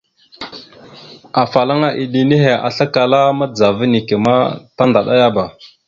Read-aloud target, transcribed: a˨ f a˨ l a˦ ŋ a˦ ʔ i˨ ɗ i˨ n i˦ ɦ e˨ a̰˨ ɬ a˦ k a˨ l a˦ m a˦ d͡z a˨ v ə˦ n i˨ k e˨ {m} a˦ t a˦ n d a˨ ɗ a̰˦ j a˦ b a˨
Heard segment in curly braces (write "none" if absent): m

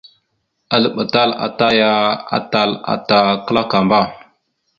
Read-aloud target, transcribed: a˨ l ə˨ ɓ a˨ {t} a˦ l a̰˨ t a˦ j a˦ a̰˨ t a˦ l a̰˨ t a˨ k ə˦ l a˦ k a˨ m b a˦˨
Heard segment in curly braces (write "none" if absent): t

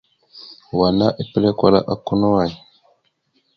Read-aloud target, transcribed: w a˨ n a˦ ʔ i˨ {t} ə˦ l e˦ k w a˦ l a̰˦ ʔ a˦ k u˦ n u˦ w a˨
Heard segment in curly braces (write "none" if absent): p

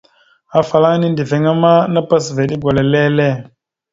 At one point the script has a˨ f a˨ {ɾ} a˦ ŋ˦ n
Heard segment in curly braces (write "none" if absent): l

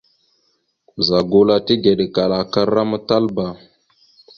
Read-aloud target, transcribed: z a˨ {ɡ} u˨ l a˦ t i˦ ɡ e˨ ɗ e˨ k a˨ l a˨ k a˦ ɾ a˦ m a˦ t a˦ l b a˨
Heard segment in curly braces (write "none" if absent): ɡ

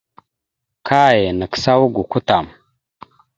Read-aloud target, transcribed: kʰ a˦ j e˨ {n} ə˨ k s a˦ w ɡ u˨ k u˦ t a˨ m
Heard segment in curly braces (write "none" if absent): n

